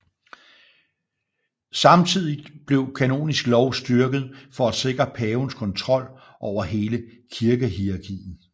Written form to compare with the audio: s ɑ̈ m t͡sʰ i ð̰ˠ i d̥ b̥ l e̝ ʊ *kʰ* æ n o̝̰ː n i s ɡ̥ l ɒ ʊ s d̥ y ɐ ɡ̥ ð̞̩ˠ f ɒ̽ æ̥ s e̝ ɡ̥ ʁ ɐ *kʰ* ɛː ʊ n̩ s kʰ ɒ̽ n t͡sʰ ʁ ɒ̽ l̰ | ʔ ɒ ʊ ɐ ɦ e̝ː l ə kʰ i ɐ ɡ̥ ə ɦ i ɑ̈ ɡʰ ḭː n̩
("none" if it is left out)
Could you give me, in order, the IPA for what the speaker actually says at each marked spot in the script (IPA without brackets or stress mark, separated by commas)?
kʰ, pʰ